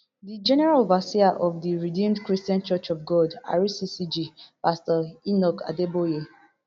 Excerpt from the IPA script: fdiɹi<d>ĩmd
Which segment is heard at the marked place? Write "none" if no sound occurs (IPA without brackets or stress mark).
d